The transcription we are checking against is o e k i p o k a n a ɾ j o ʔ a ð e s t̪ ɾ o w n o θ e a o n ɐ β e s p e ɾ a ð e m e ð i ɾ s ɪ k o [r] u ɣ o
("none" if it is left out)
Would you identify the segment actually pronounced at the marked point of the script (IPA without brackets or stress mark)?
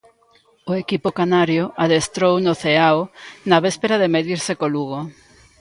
l